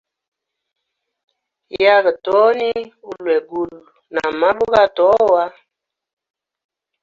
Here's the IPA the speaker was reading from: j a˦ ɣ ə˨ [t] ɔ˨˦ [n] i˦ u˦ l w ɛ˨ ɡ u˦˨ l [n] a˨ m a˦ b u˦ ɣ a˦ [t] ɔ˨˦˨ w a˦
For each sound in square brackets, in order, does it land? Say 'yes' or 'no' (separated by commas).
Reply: yes, yes, yes, yes